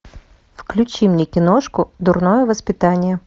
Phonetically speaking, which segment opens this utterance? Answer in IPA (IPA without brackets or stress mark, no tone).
f